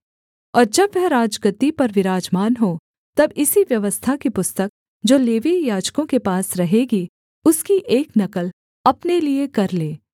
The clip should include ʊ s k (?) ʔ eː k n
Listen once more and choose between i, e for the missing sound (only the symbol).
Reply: i